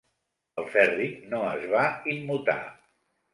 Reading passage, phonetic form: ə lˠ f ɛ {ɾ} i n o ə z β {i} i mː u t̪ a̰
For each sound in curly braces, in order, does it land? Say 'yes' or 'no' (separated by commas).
no, no